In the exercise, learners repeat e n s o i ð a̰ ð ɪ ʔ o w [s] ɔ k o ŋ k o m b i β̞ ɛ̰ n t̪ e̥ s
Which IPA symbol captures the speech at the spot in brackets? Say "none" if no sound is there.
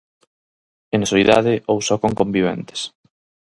s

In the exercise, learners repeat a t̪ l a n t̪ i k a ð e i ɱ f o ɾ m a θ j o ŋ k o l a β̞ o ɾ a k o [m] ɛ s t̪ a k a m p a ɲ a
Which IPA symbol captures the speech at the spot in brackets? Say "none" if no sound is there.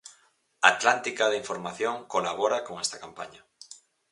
ŋ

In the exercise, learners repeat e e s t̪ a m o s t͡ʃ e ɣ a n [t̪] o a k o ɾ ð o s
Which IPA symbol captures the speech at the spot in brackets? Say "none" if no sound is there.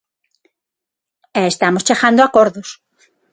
d̪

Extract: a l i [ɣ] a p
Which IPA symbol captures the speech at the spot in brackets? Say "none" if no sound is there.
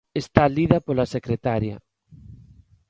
ð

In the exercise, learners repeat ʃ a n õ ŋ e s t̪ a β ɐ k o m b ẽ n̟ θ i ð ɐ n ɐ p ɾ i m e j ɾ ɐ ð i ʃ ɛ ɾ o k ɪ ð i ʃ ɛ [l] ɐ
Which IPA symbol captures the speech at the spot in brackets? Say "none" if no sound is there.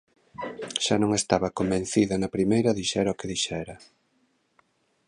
ɾ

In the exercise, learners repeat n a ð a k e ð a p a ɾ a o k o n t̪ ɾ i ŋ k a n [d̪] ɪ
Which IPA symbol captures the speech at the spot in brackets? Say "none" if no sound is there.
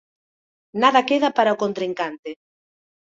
t̪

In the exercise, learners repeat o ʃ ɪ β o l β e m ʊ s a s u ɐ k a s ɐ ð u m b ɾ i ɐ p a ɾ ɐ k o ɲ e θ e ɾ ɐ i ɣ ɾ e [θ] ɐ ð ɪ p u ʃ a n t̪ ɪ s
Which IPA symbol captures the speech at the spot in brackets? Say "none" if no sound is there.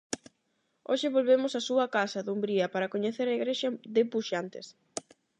ʃ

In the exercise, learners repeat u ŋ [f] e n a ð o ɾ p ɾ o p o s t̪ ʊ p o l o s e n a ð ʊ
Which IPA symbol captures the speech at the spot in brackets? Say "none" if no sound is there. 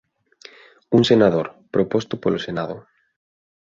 s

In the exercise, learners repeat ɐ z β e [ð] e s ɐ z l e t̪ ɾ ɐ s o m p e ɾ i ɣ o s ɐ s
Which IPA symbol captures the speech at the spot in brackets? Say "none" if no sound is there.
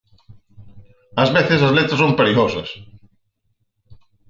θ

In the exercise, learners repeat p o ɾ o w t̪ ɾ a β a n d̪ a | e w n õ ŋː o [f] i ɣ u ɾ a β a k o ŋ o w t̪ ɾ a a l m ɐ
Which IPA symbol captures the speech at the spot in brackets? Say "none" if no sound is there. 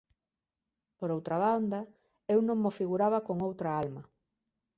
f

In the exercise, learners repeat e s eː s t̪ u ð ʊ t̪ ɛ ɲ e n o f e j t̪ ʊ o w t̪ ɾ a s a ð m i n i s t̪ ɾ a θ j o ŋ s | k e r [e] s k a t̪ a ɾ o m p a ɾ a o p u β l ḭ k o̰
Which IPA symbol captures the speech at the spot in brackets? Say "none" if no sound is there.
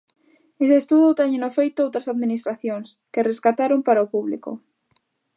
e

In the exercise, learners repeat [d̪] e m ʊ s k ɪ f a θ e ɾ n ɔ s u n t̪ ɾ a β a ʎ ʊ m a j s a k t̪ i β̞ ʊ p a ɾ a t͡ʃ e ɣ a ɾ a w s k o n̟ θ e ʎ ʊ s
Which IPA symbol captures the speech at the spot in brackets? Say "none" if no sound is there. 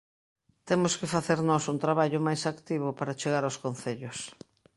t̪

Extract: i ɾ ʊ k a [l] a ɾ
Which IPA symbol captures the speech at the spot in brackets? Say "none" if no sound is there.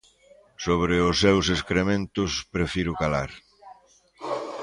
l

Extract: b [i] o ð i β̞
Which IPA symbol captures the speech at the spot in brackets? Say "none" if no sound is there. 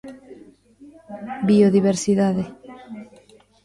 i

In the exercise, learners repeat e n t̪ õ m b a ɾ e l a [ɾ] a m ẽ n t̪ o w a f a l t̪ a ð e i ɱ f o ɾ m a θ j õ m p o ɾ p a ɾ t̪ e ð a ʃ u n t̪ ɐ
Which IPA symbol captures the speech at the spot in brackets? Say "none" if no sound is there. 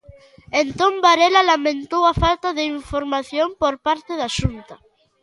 l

